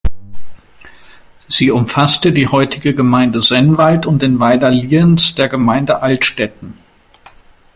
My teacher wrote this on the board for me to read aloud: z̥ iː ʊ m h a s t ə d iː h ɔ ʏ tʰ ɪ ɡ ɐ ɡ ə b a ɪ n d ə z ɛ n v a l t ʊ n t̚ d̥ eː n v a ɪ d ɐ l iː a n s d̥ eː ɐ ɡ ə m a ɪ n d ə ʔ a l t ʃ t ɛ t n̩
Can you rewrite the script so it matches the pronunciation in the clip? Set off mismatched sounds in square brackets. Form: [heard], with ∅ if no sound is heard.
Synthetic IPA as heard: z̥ iː ʊ m [f] a s t ə d iː h ɔ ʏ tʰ ɪ ɡ [ə] ɡ ə [m] a ɪ n d ə z ɛ n v a l t ʊ n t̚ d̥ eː n v a ɪ d ɐ l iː [ə] n s d̥ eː ɐ ɡ ə m a ɪ n d ə ʔ a l t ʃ t ɛ t n̩